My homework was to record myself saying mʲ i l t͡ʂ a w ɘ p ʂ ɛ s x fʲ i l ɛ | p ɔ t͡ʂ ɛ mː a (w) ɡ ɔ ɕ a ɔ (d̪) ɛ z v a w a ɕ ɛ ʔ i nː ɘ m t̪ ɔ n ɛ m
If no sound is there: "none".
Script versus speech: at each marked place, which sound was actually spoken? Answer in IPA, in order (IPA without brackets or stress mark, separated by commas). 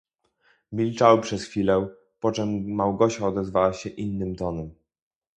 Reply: w, d̪